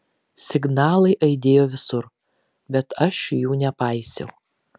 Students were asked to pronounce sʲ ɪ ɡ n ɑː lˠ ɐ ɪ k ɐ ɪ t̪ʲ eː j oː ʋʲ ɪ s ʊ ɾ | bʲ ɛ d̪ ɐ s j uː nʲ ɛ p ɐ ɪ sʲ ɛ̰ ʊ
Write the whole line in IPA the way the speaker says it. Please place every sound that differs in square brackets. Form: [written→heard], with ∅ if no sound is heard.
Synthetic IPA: sʲ ɪ ɡ n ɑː lˠ ɐ ɪ [k→ʔ] ɐ ɪ [t̪ʲ→d̪ʲ] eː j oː ʋʲ ɪ s ʊ ɾ | bʲ ɛ [d̪→t̪] ɐ [s→ʃ] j uː nʲ ɛ p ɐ ɪ sʲ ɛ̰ ʊ